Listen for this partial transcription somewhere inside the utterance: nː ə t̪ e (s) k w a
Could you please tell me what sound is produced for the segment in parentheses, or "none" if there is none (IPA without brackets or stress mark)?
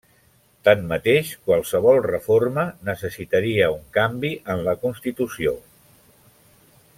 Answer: ʃ